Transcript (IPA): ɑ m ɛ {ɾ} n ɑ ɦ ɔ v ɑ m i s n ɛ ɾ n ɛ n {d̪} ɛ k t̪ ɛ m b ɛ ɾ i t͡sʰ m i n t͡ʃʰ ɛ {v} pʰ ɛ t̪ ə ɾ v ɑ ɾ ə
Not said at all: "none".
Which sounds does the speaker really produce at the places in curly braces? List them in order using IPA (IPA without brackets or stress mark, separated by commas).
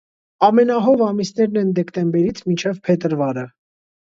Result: none, d̪, v